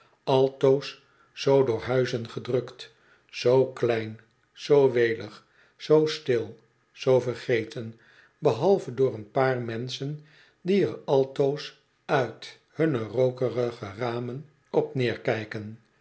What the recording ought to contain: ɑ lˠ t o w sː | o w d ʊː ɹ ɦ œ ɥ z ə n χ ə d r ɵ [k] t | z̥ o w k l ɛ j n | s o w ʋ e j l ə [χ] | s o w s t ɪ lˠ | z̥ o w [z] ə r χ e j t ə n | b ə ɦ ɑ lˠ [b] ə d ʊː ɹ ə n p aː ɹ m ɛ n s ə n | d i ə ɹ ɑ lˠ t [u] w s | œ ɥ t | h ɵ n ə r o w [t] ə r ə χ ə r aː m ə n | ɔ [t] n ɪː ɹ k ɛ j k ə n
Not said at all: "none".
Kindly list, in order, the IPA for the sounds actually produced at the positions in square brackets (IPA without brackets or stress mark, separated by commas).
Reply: k, χ, v, v, o, k, p